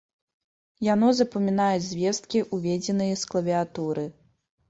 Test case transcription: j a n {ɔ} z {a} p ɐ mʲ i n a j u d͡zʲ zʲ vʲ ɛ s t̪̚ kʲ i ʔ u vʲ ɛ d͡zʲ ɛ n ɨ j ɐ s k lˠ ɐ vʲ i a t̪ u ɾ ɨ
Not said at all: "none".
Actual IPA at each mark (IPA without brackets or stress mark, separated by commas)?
ɔ, ɐ